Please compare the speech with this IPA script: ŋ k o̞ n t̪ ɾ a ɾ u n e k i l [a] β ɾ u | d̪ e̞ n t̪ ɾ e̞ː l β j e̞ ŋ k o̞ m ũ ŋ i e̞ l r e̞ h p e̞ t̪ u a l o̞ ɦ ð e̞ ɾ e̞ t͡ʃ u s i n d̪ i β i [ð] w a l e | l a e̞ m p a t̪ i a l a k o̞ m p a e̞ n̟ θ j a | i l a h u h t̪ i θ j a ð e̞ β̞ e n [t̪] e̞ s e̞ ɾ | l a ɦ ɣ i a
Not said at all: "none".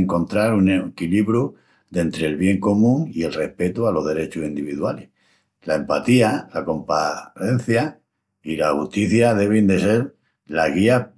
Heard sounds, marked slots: i, ð, d̪

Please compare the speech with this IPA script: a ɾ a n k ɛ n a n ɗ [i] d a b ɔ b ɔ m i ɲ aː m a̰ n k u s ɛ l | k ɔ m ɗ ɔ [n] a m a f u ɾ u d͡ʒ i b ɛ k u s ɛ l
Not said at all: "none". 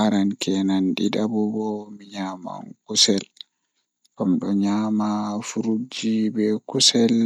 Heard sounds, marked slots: i, ɲ

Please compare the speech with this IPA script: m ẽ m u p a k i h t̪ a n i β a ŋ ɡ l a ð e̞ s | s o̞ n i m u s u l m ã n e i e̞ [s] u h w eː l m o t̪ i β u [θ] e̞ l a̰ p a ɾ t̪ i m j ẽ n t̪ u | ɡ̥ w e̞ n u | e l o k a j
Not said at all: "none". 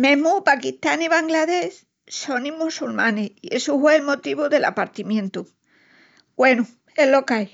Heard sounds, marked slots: s, ð

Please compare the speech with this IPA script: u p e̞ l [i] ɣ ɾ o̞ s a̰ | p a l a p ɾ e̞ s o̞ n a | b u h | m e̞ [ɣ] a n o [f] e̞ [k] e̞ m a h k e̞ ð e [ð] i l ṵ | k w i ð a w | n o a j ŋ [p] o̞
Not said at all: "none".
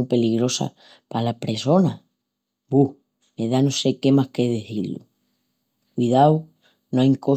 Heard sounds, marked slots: i, ð, s, k, θ, k

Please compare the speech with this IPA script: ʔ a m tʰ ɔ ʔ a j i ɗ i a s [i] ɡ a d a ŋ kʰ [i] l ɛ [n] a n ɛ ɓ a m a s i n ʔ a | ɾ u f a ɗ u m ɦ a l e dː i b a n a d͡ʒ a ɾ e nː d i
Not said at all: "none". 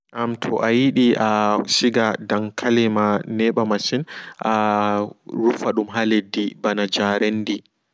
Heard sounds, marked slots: i, a, m

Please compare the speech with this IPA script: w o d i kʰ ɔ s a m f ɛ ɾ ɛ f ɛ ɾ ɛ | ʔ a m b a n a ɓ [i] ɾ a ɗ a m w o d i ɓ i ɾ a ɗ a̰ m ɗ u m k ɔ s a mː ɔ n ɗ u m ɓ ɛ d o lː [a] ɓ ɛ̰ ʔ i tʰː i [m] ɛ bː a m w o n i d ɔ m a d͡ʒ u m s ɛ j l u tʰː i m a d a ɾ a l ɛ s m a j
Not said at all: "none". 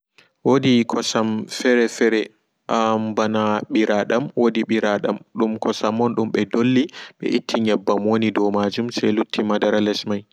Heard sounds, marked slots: i, i, ɲ

